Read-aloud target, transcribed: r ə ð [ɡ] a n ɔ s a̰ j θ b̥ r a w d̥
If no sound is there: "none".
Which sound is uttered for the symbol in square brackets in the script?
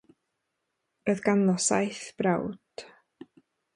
ɡ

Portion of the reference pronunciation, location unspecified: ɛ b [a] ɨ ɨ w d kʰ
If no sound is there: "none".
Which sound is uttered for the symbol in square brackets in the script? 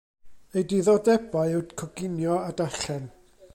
a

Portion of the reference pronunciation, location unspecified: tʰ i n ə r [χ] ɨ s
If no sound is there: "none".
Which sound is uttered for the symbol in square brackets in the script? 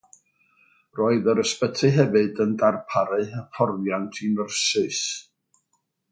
s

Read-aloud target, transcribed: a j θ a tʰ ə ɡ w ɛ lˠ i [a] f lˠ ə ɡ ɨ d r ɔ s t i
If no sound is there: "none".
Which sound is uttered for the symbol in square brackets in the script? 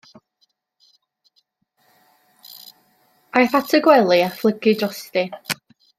a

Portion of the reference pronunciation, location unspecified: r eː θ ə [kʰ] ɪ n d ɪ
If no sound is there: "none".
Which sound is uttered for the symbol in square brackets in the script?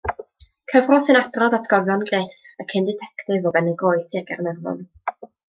kʰ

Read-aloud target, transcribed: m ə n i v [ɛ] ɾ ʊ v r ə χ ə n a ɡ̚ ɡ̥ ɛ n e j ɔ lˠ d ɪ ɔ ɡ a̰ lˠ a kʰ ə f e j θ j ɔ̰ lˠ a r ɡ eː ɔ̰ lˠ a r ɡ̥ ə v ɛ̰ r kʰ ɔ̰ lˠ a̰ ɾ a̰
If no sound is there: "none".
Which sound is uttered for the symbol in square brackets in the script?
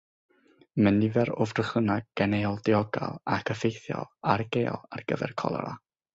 ɛ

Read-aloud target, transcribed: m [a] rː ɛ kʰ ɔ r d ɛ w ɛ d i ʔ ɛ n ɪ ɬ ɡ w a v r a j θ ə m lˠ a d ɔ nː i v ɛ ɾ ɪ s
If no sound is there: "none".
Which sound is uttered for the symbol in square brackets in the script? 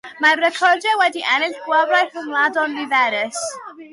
a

